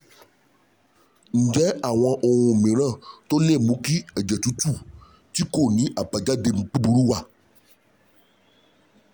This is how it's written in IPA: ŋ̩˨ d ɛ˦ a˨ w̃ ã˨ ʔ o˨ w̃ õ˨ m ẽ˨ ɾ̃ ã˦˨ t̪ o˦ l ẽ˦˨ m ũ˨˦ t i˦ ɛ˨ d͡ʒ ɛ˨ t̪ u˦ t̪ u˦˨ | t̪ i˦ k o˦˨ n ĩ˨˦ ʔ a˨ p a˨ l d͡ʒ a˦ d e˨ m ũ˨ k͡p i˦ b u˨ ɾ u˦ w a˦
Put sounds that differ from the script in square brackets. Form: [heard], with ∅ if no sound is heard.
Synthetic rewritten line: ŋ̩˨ [d͡ʒ] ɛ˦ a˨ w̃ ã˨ ʔ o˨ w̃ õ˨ m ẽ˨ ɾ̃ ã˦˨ t̪ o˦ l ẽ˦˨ m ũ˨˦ [k] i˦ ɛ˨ d͡ʒ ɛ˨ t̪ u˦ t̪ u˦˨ | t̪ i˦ k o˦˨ n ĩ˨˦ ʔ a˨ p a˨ [∅] d͡ʒ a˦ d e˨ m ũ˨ k͡p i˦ b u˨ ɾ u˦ w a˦